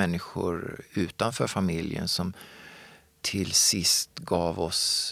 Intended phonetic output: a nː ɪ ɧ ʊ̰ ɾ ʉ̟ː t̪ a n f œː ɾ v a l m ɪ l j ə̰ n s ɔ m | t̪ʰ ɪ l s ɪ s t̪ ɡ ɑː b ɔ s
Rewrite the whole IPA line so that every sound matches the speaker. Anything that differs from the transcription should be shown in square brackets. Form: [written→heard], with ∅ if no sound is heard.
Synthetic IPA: [a→ɛ] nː ɪ ɧ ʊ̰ ɾ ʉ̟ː t̪ a n f œː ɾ [v→f] a [l→∅] m ɪ l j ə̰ n s ɔ m | t̪ʰ ɪ l s ɪ s t̪ ɡ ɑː [b→v] ɔ s